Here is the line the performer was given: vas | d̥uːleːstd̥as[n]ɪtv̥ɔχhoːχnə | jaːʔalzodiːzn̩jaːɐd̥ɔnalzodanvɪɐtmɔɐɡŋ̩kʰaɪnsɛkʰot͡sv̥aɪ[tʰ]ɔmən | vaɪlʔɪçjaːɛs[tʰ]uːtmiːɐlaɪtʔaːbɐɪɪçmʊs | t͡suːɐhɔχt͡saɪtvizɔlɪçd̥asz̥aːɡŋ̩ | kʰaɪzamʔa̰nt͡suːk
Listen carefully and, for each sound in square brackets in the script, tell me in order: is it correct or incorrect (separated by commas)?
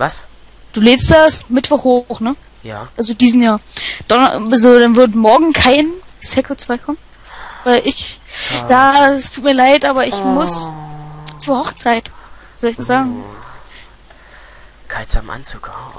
incorrect, incorrect, correct